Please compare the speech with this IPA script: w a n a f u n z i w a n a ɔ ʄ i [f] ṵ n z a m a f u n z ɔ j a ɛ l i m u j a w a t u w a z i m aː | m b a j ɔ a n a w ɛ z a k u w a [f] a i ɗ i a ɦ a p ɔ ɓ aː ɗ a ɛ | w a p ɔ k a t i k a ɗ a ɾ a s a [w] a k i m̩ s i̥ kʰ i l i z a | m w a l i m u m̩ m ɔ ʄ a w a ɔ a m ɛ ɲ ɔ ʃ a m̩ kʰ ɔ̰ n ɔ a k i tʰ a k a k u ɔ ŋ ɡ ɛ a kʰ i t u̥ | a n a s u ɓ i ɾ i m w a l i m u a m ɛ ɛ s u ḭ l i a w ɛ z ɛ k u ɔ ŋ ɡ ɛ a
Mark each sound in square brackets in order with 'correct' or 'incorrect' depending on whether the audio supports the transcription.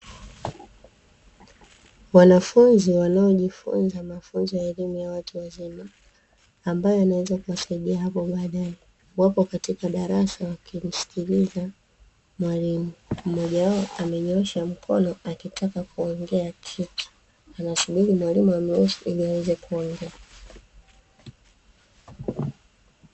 correct, incorrect, correct

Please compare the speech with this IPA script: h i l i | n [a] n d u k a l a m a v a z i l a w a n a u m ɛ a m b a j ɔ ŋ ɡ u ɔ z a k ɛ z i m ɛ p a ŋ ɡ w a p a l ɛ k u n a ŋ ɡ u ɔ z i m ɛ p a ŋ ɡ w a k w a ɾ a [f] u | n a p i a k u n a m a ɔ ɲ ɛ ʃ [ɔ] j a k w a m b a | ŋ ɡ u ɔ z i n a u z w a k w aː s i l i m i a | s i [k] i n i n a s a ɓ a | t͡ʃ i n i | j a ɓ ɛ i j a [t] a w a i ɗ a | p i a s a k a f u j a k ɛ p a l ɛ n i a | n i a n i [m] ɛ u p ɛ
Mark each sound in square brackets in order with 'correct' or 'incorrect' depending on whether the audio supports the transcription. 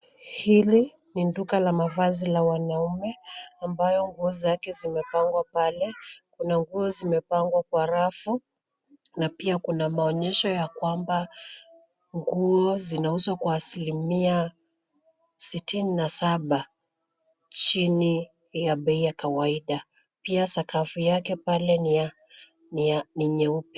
incorrect, correct, correct, incorrect, incorrect, incorrect

